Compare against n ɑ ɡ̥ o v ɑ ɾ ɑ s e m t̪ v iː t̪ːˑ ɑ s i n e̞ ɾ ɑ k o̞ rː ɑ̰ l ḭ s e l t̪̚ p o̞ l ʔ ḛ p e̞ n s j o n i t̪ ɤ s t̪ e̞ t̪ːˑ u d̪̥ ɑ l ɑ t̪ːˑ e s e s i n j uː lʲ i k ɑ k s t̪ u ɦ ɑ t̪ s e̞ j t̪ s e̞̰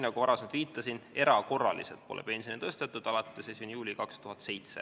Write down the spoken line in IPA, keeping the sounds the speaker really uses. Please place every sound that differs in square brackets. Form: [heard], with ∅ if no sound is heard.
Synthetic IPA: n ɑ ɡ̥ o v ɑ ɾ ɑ s e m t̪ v iː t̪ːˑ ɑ s i n e̞ ɾ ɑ k o̞ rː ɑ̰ l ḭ s e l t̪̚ p o̞ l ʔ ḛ p e̞ n s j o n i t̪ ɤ s t̪ e̞ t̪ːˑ u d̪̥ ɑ l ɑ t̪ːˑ e s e s i n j uː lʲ i k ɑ k s t̪ u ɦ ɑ t̪ s e̞ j t̪ s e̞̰